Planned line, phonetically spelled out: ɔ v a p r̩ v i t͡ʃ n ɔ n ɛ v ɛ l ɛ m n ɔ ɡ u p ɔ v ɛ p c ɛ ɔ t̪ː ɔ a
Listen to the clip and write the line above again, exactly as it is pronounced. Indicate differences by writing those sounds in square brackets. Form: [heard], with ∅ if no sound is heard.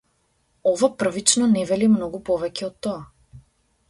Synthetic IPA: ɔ v a p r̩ v i t͡ʃ n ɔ n ɛ v ɛ l [i] m n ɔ ɡ u p ɔ v ɛ [∅] c ɛ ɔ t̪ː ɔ a